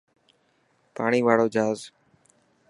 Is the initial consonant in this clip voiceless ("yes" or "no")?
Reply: yes